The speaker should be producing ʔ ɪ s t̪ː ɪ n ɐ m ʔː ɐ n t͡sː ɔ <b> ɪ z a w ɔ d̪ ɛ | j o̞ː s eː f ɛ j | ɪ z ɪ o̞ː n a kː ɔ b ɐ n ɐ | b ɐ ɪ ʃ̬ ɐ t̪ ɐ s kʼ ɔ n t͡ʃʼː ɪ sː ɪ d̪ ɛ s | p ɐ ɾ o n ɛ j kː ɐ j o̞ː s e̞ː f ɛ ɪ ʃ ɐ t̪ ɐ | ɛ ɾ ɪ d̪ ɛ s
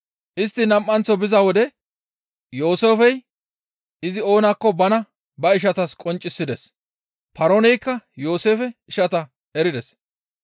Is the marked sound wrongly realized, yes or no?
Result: no